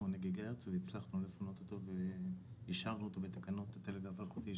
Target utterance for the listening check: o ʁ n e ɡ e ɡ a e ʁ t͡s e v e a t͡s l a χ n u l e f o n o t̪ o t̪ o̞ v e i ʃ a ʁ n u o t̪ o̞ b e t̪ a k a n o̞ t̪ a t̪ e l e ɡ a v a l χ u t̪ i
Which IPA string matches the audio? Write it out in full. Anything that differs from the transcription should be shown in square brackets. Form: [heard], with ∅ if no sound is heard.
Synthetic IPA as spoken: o [∅] n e ɡ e ɡ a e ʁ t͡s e v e [i] t͡s l a χ n u l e f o n o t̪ o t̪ o̞ v e i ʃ a ʁ n u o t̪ o̞ b e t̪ a k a n o̞ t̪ a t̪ e l e ɡ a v a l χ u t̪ i